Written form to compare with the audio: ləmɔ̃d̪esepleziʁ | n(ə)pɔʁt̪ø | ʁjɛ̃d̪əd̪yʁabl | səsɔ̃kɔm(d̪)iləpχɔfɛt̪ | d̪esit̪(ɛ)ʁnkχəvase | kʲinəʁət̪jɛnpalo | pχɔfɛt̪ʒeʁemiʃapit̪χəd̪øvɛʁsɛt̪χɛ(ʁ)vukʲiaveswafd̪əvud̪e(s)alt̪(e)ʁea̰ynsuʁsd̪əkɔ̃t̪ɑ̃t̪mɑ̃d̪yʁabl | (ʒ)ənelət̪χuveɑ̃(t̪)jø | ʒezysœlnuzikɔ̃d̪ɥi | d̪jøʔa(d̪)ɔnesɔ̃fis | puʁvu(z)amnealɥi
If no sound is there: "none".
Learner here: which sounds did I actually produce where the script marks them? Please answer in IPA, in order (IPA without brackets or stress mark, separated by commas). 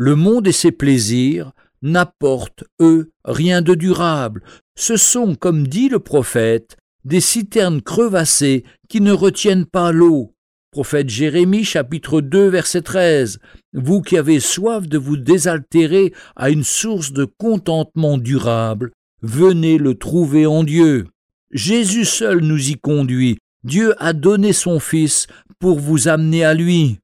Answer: a, d̪, ɛ, z, z, e, v, d̪, d̪, z